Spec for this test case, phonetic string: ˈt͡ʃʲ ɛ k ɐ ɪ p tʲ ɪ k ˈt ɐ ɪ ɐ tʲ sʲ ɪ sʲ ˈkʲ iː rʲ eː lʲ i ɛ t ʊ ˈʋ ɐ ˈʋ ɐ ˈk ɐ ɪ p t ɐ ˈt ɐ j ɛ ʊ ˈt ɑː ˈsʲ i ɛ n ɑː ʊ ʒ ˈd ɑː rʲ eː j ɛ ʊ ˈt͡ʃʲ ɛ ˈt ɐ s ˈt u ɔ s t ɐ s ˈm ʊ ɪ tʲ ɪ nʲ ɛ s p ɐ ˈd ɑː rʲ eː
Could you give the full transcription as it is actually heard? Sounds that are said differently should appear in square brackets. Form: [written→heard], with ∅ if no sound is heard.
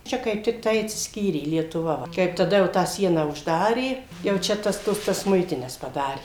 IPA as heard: ˈt͡ʃʲ ɛ k ɐ ɪ p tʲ ɪ k ˈt ɐ ɪ ɐ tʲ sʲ ɪ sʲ ˈkʲ iː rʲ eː lʲ i ɛ t ʊ ˈʋ ɐ ˈʋ ɐ ˈk ɐ ɪ p t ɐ [ˈt→ˈd] ɐ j ɛ ʊ ˈt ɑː ˈsʲ i ɛ n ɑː ʊ ʒ ˈd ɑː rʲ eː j ɛ ʊ ˈt͡ʃʲ ɛ ˈt ɐ s ˈt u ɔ s t ɐ s ˈm ʊ ɪ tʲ ɪ nʲ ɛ s p ɐ ˈd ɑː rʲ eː